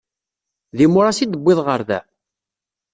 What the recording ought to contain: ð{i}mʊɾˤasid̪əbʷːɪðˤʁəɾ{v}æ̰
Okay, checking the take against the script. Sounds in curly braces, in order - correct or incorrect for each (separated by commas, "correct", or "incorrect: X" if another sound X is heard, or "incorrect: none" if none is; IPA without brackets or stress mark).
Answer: correct, incorrect: ð